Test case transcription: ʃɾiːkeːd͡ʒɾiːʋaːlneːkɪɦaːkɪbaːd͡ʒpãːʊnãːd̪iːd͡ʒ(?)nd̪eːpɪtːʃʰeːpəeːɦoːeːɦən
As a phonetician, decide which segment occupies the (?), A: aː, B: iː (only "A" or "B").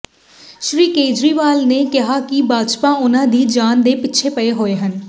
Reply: A